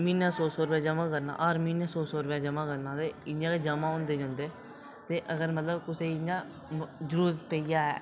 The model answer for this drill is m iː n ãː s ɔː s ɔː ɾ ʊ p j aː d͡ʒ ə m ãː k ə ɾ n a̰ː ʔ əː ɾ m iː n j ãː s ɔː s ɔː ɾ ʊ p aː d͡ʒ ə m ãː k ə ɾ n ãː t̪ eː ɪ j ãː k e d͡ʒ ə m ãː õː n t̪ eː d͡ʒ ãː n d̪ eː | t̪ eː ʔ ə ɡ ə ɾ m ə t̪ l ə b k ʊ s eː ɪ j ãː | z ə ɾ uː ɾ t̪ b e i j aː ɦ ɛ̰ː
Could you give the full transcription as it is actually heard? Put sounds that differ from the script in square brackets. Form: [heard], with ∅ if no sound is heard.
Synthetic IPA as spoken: m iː n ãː s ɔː s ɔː ɾ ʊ p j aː d͡ʒ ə m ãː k ə ɾ n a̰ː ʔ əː ɾ m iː n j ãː s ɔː s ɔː ɾ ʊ p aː d͡ʒ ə m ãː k ə ɾ n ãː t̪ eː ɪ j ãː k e d͡ʒ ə m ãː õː n [d̪] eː d͡ʒ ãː n d̪ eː | t̪ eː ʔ ə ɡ ə ɾ m ə t̪ l ə b k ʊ s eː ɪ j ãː | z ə ɾ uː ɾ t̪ [p] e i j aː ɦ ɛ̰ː